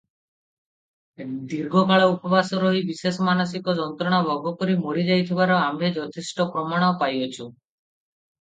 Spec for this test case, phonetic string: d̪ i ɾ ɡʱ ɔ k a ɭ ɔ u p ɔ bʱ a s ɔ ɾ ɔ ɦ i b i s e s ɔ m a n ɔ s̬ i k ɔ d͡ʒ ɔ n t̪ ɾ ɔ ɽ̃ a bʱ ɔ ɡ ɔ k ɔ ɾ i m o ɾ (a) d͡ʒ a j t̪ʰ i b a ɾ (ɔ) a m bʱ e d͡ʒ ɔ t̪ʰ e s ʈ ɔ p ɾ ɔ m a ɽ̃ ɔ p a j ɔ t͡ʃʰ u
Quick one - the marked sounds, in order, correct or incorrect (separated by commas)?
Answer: incorrect, correct